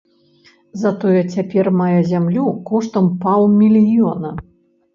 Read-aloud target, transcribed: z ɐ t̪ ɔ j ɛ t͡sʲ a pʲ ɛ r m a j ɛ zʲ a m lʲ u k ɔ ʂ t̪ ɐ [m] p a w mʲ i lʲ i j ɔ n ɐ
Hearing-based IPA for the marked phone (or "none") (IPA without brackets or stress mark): m